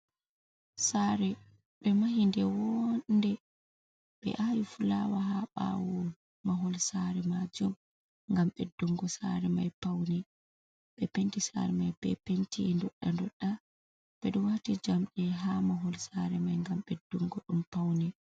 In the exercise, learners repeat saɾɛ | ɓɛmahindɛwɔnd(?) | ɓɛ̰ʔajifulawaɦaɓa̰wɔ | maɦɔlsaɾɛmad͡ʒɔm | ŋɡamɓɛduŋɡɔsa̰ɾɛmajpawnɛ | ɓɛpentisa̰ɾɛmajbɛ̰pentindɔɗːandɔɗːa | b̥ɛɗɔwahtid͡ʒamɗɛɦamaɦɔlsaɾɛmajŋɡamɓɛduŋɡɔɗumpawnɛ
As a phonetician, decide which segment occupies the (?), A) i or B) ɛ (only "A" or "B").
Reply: B